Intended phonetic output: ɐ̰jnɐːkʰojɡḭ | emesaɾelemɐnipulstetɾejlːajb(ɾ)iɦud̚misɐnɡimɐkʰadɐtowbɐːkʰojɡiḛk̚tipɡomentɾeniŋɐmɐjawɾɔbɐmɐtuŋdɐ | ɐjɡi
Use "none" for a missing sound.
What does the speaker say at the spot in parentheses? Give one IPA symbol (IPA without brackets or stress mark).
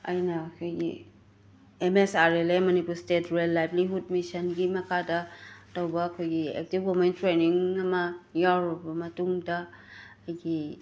l